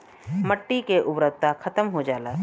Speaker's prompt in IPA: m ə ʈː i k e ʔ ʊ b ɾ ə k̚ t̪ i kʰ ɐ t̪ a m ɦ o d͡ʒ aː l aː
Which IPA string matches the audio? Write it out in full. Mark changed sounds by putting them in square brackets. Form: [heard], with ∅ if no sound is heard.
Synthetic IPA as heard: m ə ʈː i k e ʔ ʊ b ɾ ə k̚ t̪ [a] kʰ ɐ t̪ [ə] m ɦ o d͡ʒ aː l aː